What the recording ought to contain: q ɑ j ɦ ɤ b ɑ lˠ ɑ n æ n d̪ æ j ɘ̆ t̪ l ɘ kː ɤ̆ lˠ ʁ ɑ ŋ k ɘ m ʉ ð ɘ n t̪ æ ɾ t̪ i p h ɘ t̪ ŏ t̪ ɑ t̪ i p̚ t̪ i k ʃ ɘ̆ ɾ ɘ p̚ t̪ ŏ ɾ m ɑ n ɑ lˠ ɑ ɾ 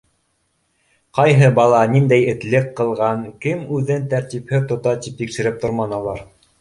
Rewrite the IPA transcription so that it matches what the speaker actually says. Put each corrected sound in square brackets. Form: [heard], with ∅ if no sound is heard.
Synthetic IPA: q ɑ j ɦ ɤ b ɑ lˠ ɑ n [i] n d̪ æ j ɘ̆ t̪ l ɘ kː ɤ̆ lˠ ʁ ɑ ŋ k ɘ m ʉ ð ɘ n t̪ æ ɾ t̪ i p h ɘ t̪ ŏ t̪ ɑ t̪ i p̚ t̪ i k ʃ ɘ̆ ɾ ɘ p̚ t̪ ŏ ɾ m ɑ n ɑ lˠ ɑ ɾ